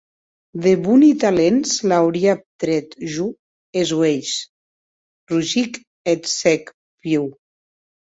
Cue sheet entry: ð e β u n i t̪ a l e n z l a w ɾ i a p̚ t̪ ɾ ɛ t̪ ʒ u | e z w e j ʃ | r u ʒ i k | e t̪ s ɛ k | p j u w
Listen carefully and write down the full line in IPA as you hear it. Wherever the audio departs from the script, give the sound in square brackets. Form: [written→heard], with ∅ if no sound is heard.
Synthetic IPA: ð e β u n i t̪ a l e n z l a w ɾ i a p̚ t̪ ɾ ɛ t̪ ʒ u | e z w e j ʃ | r u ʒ i k | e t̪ s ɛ k | p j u w